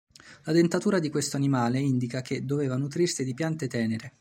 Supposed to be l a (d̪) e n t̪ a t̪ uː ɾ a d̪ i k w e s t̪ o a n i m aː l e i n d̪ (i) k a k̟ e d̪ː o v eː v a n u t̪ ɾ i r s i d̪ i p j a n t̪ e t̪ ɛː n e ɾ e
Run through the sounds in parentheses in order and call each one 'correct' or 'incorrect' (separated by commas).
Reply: correct, correct